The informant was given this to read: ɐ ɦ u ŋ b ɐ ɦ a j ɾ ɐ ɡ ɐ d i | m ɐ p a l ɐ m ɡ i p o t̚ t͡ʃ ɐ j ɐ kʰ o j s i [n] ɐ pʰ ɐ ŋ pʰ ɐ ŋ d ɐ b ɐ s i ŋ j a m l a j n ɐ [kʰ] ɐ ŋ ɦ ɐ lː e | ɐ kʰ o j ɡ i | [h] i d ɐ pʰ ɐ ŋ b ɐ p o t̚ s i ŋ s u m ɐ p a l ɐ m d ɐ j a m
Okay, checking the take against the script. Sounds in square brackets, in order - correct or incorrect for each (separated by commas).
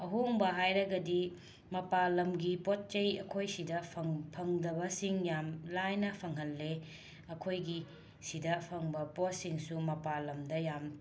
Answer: incorrect, incorrect, incorrect